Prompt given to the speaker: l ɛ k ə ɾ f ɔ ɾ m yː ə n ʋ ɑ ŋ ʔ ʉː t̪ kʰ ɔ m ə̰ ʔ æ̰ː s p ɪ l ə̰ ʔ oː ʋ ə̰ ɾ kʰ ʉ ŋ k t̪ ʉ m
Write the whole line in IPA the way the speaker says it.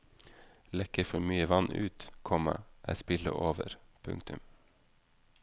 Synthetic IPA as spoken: l ɛ k ə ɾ f ɔ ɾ m yː ə ʋ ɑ n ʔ ʉː t̪ kʰ ɔ m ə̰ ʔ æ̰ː s p ɪ l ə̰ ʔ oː ʋ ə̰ ɾ pʰ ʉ ŋ k t̪ ʉ m